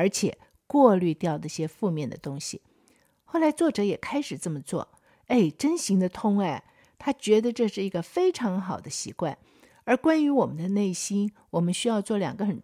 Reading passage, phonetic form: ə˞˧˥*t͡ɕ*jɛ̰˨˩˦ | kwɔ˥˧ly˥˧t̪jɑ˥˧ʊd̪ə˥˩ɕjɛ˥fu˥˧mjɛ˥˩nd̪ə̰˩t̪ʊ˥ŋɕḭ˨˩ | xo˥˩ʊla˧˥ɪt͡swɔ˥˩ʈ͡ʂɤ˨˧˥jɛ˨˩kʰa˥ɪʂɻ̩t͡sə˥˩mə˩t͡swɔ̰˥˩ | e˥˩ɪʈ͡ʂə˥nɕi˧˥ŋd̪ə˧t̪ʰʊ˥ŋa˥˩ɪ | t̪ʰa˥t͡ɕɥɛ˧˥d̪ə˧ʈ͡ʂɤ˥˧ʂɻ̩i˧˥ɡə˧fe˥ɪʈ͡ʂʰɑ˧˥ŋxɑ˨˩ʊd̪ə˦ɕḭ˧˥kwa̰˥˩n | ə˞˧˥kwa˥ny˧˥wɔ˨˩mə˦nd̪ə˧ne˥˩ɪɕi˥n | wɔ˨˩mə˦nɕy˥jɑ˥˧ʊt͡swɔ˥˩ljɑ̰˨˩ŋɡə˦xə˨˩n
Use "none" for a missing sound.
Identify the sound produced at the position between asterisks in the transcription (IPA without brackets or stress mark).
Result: t͡ɕʰ